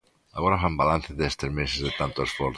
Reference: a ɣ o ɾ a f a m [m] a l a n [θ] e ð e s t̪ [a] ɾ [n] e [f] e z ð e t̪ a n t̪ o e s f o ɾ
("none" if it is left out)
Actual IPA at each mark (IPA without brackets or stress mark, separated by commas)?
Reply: b, θ, e, m, s